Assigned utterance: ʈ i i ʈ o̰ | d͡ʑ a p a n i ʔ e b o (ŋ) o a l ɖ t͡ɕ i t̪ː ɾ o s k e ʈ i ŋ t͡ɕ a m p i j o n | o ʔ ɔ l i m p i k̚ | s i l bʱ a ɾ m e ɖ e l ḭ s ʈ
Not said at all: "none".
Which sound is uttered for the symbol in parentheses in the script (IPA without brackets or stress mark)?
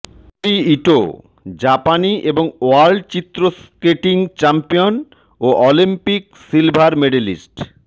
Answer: ŋ